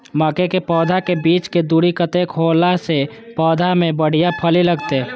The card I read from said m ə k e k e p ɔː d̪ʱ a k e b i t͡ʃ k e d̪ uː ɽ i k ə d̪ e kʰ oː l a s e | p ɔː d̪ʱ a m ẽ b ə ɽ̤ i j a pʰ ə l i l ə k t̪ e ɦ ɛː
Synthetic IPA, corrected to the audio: m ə k e k e p ɔː d̪ʱ a k e b iː t͡ʃ k e d̪ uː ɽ i k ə t̪ e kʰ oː l a s e | p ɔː d̪ʱ a m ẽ b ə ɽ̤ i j a pʰ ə l i l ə ɡ t̪ e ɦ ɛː